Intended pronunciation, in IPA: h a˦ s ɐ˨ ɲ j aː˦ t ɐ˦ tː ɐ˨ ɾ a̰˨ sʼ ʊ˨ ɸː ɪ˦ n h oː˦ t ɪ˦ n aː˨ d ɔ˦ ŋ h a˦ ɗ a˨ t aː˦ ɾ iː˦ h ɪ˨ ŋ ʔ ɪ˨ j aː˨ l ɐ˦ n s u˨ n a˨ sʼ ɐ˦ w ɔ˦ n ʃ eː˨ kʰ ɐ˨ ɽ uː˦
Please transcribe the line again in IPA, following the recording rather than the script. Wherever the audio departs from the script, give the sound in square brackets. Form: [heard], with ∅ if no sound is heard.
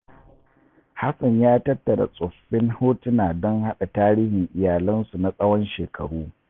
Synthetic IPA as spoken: h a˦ s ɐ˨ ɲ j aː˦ t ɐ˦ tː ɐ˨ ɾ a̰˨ sʼ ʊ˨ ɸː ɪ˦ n h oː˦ t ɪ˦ n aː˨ d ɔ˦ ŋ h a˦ ɗ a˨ t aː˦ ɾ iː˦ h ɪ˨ ŋ ʔ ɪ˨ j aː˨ l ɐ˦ n s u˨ n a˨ sʼ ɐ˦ w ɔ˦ n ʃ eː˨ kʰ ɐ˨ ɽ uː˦

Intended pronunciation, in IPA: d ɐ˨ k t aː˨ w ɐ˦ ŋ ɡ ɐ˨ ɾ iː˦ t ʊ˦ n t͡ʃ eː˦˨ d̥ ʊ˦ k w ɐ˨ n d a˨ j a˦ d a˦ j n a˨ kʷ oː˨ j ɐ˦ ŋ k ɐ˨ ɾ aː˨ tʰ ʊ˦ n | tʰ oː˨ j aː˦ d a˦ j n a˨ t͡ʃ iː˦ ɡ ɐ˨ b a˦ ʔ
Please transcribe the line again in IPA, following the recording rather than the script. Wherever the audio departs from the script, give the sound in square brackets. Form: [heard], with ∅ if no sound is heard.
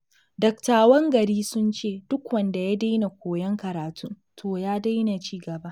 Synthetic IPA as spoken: d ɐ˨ k t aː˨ w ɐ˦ ŋ ɡ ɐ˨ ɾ iː˦ [s] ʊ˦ n t͡ʃ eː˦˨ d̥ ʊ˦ k w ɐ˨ n d a˨ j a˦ d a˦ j n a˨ kʷ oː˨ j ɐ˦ ŋ k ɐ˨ ɾ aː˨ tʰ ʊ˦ n | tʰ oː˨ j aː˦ d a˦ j n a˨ t͡ʃ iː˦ ɡ ɐ˨ b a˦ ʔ

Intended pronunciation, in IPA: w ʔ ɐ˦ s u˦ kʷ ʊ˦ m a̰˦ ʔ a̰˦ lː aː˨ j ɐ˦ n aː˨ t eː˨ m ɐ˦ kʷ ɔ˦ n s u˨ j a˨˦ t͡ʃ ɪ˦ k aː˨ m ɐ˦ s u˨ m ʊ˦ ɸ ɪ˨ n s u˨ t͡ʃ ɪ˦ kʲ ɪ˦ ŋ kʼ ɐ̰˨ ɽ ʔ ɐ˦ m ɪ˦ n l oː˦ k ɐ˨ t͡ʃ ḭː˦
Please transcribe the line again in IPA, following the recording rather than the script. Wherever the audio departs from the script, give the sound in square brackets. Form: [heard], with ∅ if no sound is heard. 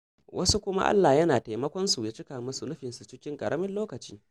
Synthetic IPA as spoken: w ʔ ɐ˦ s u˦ kʷ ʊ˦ m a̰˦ ʔ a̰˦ lː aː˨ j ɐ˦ n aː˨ t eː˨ m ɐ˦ kʷ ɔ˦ n s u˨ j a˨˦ t͡ʃ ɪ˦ k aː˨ m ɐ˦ s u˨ [n] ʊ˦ ɸ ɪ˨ n s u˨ t͡ʃ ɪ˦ kʲ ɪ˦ ŋ kʼ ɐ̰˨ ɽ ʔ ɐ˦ m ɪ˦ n l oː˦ k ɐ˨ t͡ʃ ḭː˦

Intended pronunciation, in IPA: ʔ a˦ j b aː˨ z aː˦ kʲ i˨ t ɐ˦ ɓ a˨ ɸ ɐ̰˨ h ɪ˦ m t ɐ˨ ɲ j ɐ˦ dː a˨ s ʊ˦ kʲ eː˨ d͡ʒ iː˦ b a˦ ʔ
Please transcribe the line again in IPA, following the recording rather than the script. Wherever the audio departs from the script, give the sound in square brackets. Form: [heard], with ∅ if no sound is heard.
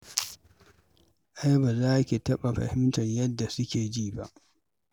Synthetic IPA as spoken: ʔ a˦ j b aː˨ z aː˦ kʲ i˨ t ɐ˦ ɓ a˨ ɸ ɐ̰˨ h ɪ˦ m t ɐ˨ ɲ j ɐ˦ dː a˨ s ʊ˦ kʲ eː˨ d͡ʒ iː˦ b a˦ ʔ

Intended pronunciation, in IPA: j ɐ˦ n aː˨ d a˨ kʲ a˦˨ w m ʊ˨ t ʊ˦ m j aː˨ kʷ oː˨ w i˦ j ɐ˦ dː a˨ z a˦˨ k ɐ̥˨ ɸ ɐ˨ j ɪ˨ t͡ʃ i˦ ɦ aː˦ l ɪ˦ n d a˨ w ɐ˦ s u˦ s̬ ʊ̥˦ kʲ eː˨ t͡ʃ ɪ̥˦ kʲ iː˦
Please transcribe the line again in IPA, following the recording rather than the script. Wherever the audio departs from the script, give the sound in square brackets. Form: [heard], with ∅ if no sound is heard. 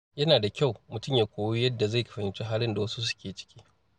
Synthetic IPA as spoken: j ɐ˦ n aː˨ d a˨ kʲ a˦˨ w m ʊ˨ t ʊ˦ m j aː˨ kʷ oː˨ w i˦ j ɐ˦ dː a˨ z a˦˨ k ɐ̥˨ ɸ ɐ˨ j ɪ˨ t͡ʃ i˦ ɦ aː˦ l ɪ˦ n d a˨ w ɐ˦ s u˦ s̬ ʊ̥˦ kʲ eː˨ t͡ʃ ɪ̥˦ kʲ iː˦

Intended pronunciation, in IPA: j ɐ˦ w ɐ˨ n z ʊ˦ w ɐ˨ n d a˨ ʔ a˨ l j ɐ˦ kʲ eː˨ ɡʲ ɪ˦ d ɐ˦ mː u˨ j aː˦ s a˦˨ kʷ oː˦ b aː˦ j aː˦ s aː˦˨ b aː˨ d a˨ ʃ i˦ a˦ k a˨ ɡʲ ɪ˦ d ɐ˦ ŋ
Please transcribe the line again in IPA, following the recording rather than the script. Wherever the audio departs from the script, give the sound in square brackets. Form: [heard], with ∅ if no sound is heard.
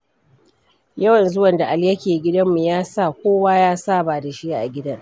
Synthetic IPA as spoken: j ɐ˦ w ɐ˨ n z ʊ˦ w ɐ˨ n d a˨ ʔ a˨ l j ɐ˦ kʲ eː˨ ɡʲ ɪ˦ d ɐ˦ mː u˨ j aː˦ s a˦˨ kʷ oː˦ [w] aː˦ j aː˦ s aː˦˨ b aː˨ d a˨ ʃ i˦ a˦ [ʔ] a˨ ɡʲ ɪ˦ d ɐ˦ ŋ

